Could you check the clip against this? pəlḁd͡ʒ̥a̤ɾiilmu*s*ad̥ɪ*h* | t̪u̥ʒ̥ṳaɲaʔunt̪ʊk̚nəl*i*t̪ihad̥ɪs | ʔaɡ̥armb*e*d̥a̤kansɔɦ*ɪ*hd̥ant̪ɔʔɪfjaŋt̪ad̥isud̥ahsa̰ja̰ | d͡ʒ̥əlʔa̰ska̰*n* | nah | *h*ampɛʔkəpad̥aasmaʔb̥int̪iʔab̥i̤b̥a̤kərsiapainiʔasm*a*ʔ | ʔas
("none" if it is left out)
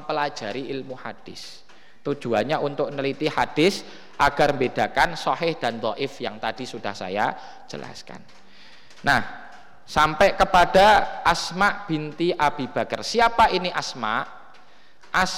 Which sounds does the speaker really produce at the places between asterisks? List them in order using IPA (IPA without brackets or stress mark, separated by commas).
h, s, i, e, ɪ, n, s, a